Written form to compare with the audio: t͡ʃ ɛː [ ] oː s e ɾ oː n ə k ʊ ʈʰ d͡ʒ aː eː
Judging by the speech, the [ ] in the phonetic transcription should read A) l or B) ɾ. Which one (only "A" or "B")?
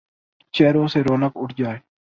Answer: B